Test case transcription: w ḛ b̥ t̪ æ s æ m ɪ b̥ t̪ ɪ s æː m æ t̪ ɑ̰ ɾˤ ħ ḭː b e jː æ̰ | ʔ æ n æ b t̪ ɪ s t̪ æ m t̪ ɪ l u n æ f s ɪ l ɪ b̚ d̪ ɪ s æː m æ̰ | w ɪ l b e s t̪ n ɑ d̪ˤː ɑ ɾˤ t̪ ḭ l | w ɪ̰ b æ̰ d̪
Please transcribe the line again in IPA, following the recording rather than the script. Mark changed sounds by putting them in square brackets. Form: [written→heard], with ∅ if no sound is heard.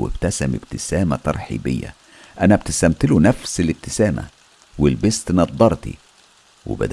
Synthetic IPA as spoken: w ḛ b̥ t̪ æ s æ m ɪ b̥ t̪ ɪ s æː m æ t̪ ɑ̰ ɾˤ ħ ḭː b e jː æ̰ | ʔ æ n æ b t̪ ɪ s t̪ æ m t̪ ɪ l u n æ f s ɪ l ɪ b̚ [d̪→t̪] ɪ s æː m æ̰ | w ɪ l b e s t̪ n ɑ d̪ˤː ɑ ɾˤ t̪ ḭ [l→∅] | w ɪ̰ b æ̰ d̪